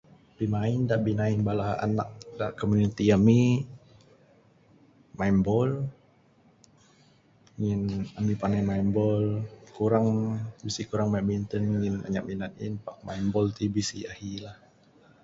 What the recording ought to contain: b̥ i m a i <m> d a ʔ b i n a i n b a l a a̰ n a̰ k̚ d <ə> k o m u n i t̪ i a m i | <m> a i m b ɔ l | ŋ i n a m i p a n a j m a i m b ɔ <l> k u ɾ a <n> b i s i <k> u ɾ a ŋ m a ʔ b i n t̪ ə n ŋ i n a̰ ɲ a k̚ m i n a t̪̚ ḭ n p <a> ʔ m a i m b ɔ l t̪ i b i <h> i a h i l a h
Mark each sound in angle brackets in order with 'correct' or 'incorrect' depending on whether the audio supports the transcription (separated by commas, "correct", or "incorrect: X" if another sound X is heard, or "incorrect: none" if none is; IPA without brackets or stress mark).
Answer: incorrect: n, incorrect: a, correct, correct, incorrect: ŋ, correct, correct, incorrect: s